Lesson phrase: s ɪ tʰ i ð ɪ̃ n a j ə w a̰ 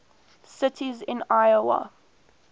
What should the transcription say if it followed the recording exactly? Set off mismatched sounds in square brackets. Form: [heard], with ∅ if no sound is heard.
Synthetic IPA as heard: s ɪ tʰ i [z] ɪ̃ n a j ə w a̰